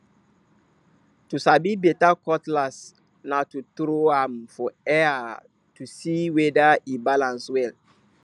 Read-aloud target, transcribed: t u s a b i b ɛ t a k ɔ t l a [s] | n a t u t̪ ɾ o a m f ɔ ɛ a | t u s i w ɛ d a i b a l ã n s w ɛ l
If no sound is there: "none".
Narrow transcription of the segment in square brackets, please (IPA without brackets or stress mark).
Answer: s